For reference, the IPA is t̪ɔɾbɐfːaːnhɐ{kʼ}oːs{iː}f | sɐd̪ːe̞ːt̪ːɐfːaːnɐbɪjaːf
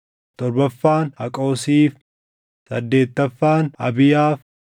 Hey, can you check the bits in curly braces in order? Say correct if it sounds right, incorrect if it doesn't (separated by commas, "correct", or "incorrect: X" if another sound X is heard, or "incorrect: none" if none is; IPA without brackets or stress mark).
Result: correct, correct